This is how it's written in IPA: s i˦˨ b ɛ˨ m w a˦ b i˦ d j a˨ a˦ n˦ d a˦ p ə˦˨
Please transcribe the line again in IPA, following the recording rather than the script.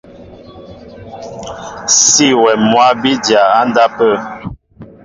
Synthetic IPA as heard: s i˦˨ w ɛ˨ m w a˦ b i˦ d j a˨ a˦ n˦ d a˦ p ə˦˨